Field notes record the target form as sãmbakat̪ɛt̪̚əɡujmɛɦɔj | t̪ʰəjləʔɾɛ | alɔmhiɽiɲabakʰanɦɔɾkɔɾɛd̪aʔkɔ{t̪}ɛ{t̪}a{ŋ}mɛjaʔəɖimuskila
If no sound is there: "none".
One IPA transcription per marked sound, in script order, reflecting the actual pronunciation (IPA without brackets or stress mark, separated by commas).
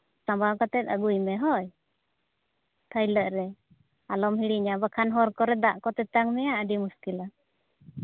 t̪, t̪, ŋ